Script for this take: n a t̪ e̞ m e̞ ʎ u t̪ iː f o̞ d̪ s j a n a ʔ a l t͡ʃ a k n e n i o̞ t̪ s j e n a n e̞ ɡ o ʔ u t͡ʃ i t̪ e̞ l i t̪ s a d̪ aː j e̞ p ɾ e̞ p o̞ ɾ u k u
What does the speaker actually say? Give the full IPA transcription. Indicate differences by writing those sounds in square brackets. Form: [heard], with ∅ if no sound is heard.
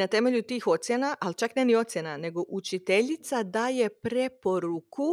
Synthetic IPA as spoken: n a t̪ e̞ m e̞ ʎ u t̪ iː [x] o̞ [t̪] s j [e] n a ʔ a l t͡ʃ a k n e n i o̞ t̪ s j e n a n e̞ ɡ o ʔ u t͡ʃ i t̪ e̞ [ʎ] i t̪ s a d̪ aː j e̞ p ɾ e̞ p o̞ ɾ u k u